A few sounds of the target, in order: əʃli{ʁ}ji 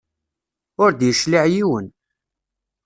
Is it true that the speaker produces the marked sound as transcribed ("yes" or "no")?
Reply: no